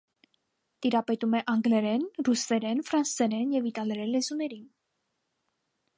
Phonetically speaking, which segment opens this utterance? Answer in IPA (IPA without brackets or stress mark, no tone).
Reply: t̪